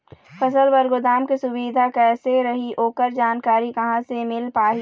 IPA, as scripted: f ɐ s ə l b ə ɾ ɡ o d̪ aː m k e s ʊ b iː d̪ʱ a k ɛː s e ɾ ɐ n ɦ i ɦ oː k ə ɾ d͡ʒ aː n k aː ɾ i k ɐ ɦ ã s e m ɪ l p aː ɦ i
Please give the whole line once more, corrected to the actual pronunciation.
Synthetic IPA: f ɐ s ə l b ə ɾ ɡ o d̪ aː m k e s ʊ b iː d̪ʱ a k ɛː s e ɾ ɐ ɦ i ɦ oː k ə ɾ d͡ʒ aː n k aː ɾ i k ɐ ɦ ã s e m ɪ l p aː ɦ i